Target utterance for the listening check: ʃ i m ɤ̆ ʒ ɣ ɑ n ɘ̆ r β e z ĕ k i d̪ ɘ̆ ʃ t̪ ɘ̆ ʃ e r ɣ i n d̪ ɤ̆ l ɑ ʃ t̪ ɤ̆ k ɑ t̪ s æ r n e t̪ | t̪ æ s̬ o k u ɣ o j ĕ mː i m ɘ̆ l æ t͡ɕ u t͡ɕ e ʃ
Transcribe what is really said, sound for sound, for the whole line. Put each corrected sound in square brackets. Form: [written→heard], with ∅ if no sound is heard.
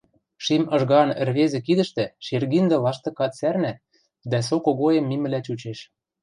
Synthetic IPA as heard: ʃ i m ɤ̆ ʒ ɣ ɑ n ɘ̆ r β e z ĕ k i d̪ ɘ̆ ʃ t̪ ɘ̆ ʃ e r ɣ i n d̪ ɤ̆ l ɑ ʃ t̪ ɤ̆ k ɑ t̪ s æ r n [e→æ] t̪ | [t̪→d̪] æ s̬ o k [u→o] ɣ o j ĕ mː i m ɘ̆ l æ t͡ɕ u t͡ɕ e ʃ